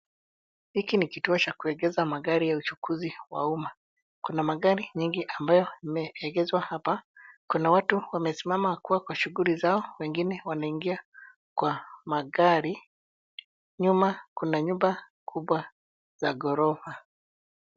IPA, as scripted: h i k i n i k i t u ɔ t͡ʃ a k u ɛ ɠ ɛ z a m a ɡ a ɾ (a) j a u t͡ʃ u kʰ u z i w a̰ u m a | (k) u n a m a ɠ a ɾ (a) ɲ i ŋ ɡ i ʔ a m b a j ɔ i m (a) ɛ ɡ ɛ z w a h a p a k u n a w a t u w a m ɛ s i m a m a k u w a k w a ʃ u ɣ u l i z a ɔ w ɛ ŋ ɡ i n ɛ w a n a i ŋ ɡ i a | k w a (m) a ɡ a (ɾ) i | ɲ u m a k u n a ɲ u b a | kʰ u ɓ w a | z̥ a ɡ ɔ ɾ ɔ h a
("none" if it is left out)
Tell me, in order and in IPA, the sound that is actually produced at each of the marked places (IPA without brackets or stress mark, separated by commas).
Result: i, k, i, ɛ, m, ɾ